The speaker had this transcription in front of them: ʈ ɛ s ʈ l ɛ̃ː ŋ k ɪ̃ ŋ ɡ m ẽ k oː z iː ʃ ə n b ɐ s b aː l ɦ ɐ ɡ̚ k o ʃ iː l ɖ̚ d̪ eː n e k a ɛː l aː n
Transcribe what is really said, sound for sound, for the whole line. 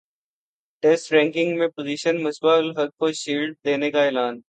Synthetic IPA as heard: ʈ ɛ s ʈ ɾ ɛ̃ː ŋ k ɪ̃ ŋ ɡ m ẽ p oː z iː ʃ ə n m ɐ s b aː l ɦ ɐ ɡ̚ k o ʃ iː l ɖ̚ d̪ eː n e k a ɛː l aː n